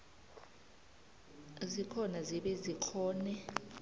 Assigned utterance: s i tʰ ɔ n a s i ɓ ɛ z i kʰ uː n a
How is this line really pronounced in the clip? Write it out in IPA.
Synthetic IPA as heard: z i kʰ ɔ n a z i ɓ ɛ z i kʰ ɔː n ɛ